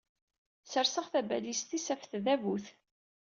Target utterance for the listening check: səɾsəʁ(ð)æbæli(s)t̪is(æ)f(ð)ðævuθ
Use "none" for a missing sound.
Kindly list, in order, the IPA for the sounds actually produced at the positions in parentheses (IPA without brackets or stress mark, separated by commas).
θ, s, æ, θ